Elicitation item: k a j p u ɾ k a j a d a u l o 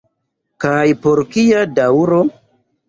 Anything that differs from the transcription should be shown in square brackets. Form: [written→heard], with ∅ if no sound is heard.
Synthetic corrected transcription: k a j p [u→o] ɾ k [a→i] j a d a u [l→ɾ] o

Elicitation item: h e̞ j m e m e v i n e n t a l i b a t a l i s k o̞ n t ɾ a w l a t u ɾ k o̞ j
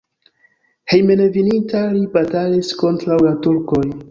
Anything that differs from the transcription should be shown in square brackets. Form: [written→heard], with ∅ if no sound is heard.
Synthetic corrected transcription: h e̞ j m e [m→n] e v i n [e→i] n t a l i b a t a l i s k o̞ n t ɾ a w l a t u ɾ k o̞ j

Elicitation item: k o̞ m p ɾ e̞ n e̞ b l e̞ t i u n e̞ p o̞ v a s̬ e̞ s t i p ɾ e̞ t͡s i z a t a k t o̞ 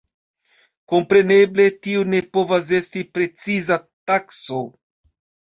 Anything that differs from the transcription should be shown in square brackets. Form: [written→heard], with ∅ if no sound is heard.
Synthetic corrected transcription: k o̞ m p ɾ e̞ n e̞ b l e̞ t i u n e̞ p o̞ v a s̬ e̞ s t i p ɾ e̞ t͡s i z a t a k [t→s] o̞

